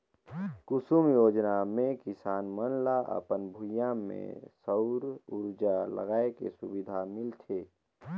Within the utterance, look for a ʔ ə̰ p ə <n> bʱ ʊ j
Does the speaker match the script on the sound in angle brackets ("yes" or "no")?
yes